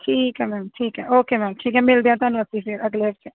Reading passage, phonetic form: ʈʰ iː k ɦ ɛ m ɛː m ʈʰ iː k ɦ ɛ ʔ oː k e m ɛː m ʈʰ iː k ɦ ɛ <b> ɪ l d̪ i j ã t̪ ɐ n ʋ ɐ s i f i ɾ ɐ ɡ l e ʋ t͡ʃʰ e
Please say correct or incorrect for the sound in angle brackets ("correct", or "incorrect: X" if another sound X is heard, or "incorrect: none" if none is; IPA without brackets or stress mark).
incorrect: m